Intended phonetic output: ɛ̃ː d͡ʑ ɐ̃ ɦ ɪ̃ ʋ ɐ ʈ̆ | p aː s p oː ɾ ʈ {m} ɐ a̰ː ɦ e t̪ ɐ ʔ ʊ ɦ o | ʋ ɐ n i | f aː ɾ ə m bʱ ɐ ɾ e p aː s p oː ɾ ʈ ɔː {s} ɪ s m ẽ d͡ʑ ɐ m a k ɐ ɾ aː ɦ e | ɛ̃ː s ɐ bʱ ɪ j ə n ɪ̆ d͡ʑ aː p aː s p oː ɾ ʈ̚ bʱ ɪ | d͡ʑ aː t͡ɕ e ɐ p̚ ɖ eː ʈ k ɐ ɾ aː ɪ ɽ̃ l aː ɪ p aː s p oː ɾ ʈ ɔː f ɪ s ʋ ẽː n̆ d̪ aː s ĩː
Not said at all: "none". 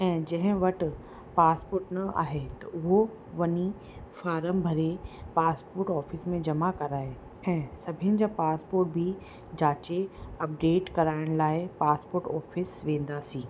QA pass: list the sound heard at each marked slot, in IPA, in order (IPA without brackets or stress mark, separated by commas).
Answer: n, f